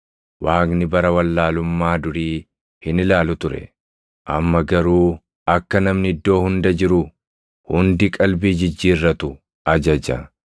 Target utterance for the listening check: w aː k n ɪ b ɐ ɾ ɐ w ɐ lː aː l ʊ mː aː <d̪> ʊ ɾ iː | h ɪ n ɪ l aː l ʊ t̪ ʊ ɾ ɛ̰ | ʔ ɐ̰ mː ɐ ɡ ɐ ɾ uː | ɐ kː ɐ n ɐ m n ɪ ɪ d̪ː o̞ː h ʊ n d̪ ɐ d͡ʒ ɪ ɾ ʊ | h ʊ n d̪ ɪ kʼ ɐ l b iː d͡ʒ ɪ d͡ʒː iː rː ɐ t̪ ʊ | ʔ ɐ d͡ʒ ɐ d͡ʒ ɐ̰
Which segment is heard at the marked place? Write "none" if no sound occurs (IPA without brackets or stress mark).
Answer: d̪